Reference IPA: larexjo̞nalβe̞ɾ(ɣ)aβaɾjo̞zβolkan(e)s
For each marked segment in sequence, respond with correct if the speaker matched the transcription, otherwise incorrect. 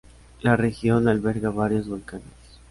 correct, correct

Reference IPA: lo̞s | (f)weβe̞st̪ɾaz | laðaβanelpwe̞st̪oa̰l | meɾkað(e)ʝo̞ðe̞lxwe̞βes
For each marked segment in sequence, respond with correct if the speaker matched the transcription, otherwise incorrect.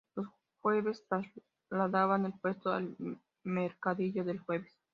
incorrect, incorrect

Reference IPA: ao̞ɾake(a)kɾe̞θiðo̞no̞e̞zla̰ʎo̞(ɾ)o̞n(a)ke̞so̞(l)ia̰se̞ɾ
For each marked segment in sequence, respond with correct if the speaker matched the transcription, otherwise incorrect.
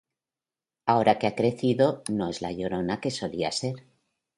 correct, correct, correct, correct

